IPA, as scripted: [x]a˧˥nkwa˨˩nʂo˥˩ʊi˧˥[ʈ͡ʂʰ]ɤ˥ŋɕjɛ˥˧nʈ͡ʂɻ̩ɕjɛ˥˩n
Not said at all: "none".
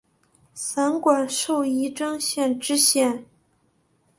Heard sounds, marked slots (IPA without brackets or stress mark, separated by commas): s, ʈ͡ʂ